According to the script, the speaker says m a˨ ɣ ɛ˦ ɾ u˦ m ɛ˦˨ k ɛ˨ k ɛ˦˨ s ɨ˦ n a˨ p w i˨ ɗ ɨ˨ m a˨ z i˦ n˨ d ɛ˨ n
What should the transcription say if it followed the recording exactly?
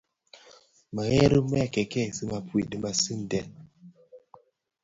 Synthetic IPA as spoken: m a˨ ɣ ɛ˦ ɾ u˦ m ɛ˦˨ k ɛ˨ k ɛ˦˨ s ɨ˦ m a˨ p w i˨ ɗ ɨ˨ m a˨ s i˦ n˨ d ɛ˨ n